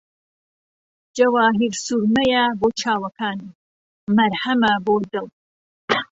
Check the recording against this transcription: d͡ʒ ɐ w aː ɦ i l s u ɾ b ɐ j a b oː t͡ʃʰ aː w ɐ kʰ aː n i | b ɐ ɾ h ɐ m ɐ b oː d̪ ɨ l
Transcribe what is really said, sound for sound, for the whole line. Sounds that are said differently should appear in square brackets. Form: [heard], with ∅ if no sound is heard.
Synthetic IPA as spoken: d͡ʒ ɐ w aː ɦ i [ɾ] s u ɾ [m] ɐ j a b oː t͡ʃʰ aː w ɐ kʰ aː n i | [m] ɐ ɾ h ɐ m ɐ b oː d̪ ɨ l